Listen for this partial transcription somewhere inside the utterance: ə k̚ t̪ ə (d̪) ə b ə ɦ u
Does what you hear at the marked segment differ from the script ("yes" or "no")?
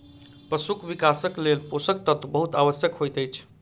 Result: yes